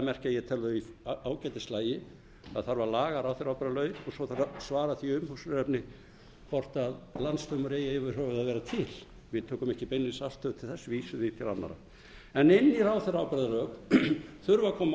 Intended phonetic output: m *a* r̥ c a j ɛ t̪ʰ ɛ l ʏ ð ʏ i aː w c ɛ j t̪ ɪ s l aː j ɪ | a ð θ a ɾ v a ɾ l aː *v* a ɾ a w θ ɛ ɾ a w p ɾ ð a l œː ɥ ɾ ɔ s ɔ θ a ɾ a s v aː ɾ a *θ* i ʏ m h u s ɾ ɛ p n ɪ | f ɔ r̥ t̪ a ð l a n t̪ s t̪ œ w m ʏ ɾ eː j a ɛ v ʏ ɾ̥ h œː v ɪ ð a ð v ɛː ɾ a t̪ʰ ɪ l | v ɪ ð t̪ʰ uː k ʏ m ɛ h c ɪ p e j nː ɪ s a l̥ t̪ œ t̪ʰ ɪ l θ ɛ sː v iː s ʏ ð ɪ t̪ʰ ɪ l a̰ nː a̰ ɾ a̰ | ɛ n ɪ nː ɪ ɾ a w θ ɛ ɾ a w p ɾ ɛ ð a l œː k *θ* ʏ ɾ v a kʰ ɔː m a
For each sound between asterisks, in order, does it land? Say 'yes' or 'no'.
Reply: no, no, yes, yes

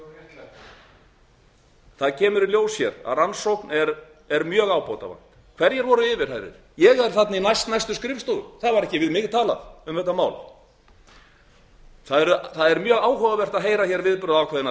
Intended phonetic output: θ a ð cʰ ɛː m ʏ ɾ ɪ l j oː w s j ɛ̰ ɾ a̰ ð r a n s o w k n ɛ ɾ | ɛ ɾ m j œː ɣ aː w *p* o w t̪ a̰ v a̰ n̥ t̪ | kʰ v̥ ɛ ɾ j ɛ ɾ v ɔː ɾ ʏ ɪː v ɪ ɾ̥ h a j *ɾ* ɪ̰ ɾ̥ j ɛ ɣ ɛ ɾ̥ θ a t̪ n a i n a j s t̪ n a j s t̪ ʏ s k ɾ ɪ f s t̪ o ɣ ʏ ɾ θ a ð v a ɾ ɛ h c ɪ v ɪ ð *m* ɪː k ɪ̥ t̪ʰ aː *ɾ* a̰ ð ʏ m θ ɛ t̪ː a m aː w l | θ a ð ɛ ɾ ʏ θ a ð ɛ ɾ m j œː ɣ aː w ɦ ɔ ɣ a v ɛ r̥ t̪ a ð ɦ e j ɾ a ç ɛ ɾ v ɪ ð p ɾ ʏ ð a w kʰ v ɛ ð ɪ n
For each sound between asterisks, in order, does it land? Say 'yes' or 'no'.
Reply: yes, yes, yes, no

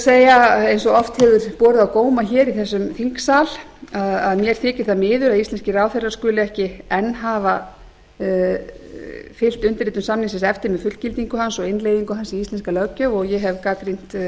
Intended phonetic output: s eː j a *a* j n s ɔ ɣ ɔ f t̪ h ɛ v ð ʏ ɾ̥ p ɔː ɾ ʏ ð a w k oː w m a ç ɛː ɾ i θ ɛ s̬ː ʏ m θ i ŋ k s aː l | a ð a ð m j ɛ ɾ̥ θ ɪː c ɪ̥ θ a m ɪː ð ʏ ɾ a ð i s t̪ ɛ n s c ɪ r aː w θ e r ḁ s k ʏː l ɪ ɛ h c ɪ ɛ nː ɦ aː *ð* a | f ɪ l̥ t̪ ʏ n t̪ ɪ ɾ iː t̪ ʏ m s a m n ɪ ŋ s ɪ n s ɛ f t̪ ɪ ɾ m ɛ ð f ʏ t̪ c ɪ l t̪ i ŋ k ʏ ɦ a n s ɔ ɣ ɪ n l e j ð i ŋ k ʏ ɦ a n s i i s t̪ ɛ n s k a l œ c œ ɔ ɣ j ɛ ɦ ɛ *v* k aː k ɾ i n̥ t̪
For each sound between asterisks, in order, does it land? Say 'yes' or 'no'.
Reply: no, no, yes

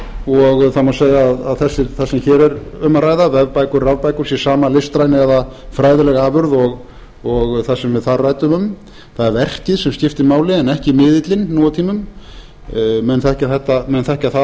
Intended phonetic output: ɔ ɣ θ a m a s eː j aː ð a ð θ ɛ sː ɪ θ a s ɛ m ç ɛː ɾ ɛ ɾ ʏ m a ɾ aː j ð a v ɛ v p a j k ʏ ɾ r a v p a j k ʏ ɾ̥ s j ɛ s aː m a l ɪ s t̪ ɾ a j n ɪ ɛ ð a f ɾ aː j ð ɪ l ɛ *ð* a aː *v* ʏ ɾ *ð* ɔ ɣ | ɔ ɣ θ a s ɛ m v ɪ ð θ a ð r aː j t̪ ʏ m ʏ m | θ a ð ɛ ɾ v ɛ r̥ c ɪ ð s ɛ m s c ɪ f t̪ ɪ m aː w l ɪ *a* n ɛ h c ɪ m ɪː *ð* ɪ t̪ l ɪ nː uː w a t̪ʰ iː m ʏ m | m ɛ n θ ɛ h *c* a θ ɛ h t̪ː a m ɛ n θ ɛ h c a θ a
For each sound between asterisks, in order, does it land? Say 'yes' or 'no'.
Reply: no, yes, yes, no, yes, yes

